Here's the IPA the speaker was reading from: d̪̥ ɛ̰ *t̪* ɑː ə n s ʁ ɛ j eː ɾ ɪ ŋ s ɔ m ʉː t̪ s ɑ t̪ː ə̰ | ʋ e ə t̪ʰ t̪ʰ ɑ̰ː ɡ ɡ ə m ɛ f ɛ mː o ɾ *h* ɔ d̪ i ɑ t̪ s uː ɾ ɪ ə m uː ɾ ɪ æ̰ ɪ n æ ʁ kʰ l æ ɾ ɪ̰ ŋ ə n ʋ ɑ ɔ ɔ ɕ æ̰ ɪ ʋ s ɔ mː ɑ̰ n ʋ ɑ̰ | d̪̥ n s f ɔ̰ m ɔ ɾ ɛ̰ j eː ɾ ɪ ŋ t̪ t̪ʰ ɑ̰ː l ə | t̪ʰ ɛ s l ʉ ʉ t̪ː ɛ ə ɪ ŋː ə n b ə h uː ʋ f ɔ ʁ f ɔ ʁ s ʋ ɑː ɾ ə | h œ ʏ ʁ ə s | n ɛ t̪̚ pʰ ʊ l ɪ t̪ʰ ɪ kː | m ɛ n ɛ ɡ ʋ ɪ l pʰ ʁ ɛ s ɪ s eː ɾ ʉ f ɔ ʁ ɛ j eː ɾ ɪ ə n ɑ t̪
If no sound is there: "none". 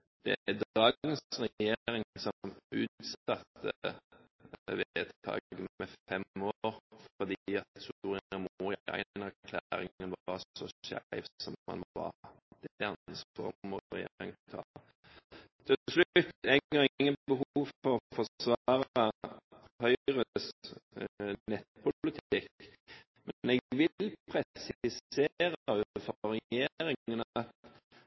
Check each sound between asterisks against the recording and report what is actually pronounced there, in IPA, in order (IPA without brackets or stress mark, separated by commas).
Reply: d̪, f